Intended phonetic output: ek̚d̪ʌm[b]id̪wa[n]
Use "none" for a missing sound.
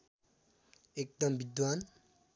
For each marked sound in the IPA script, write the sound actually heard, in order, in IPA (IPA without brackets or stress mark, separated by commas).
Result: b, n